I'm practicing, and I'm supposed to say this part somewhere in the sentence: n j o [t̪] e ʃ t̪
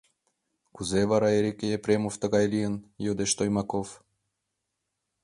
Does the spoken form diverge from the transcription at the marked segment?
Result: yes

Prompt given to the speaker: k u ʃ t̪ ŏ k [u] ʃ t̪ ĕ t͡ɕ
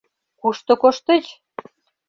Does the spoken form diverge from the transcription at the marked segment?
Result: yes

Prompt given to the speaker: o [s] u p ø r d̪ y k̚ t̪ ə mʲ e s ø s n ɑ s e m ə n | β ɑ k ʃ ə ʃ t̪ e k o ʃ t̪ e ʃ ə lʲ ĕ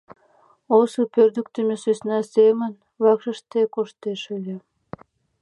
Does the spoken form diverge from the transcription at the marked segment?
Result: no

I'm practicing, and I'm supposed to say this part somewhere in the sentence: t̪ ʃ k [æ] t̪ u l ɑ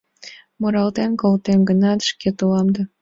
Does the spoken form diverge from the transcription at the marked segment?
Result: yes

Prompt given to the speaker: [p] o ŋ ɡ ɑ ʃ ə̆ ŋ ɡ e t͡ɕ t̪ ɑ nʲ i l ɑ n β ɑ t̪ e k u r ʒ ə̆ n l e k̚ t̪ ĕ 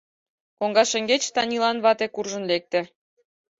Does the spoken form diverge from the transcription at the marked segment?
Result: yes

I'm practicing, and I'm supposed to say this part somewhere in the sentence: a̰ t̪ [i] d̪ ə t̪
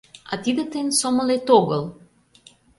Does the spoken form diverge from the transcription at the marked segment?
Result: no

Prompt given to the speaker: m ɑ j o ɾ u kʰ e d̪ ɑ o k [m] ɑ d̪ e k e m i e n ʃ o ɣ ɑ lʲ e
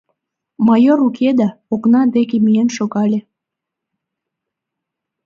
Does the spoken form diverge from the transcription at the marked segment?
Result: yes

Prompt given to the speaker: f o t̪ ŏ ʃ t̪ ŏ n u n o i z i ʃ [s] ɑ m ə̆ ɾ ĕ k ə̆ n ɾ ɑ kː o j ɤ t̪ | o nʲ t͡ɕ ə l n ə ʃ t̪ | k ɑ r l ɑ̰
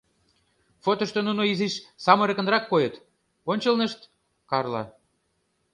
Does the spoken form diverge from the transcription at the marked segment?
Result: no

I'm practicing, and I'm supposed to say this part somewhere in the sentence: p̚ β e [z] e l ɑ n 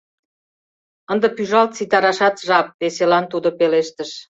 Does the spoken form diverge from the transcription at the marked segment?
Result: yes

